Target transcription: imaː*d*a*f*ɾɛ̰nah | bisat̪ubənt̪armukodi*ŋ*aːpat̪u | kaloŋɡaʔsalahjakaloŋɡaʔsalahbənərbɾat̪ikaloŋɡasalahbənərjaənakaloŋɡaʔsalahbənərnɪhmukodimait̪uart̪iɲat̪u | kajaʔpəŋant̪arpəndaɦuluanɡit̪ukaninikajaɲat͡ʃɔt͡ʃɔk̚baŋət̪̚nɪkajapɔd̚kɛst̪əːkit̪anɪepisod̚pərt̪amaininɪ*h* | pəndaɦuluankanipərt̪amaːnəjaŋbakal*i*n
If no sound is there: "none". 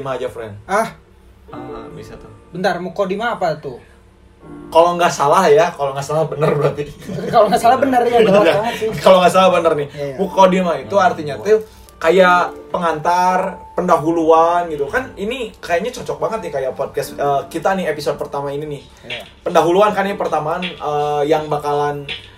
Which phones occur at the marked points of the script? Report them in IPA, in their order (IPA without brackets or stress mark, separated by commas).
d͡ʒ, f, m, h, a